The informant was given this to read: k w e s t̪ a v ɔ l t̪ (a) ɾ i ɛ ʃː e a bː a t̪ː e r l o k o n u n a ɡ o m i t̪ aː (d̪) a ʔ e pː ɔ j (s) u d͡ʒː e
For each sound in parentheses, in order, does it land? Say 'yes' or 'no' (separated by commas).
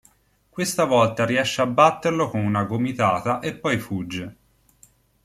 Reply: yes, no, no